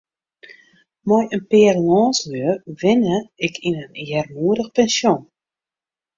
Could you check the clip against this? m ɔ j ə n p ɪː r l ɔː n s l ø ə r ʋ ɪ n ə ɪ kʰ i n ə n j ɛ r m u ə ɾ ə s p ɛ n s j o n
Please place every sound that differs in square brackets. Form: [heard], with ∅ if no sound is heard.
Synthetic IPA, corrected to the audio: m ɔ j ə n p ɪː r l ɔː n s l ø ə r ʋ ɪ n ə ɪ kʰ i n ə n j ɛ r m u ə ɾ ə [x] p ɛ n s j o n